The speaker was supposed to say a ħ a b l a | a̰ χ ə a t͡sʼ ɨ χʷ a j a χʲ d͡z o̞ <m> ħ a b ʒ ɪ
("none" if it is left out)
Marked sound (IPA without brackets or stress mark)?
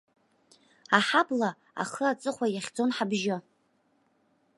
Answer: n